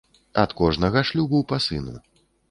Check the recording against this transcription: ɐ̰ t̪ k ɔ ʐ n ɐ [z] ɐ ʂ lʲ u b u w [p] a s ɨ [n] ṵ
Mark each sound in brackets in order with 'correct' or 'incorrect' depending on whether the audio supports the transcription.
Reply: incorrect, correct, correct

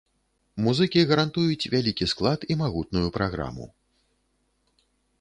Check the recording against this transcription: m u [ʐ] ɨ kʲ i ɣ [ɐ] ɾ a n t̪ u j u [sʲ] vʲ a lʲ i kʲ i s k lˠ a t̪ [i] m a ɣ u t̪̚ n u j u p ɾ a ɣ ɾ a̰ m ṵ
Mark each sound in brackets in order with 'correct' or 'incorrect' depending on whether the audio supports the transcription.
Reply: incorrect, correct, incorrect, correct

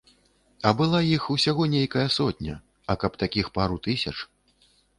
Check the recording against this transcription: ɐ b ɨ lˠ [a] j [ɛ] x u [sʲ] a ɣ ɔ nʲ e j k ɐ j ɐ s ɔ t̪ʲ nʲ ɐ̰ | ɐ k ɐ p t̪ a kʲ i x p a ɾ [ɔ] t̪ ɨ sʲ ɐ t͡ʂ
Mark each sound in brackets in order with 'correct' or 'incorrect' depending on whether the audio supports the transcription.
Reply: correct, incorrect, correct, incorrect

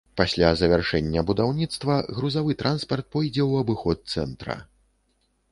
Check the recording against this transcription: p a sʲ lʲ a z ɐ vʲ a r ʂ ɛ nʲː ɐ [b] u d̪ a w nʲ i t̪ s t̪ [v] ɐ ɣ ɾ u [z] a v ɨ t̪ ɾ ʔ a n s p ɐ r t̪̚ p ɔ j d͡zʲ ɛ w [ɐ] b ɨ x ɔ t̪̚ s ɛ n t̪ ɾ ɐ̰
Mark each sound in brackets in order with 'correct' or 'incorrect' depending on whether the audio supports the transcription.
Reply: correct, correct, correct, correct

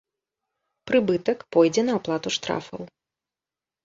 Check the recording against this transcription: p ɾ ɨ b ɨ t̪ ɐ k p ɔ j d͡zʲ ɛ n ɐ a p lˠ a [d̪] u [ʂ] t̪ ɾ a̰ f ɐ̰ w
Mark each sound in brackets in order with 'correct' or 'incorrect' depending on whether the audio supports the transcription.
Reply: incorrect, correct

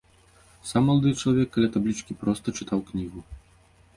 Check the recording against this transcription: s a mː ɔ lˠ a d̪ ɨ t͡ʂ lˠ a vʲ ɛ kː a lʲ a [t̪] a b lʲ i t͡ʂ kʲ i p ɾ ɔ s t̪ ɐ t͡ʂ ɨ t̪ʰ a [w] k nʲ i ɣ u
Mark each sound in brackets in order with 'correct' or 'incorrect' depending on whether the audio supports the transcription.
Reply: correct, correct

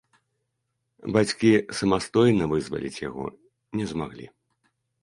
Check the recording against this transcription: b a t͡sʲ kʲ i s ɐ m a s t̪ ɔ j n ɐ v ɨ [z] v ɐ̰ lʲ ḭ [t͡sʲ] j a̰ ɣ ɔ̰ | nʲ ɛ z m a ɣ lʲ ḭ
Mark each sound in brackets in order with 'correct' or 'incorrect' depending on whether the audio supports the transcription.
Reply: correct, correct

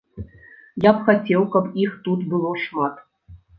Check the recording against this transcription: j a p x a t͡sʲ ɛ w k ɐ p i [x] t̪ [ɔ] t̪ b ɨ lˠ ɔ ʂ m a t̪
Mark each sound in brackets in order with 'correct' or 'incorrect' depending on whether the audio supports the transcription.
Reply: correct, incorrect

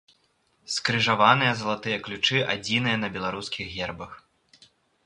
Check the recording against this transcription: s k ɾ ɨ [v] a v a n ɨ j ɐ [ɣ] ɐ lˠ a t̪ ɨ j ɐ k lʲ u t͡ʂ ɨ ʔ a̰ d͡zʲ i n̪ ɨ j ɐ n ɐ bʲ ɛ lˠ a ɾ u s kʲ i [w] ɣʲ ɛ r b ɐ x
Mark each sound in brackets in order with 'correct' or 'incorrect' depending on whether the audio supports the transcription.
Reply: incorrect, incorrect, incorrect

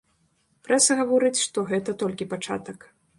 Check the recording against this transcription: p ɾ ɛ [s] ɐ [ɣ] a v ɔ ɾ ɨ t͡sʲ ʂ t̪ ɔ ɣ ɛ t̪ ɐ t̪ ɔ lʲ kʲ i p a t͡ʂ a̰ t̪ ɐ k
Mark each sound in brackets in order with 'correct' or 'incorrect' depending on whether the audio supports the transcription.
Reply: correct, correct

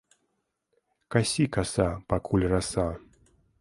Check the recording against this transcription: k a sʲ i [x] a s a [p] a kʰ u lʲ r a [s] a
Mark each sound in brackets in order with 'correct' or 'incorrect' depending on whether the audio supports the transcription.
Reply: incorrect, correct, correct

